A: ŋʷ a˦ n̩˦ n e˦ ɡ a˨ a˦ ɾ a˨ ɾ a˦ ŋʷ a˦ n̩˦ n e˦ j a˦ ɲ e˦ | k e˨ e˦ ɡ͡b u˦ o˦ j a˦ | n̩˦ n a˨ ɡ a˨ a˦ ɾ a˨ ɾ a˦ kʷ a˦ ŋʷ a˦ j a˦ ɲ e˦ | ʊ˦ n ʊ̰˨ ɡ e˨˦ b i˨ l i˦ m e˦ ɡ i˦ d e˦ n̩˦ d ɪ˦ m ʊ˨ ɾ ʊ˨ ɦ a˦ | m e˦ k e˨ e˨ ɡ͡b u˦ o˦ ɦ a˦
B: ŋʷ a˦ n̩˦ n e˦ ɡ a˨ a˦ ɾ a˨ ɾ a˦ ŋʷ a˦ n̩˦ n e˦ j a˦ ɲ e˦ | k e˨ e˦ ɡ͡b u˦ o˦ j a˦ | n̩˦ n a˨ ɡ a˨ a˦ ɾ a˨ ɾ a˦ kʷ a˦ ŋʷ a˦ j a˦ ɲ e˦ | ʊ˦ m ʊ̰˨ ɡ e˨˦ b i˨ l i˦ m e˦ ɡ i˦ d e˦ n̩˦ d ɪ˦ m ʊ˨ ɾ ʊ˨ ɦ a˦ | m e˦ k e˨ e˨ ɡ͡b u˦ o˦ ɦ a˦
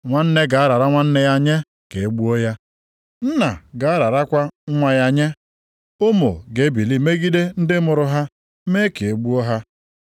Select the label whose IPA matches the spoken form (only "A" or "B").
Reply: B